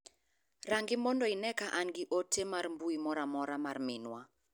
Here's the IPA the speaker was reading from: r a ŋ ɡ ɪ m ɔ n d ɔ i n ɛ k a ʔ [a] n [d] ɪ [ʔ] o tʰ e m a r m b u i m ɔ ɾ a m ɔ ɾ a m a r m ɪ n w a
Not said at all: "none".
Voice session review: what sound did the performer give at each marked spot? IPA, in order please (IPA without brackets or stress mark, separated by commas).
a, ɡ, ʔ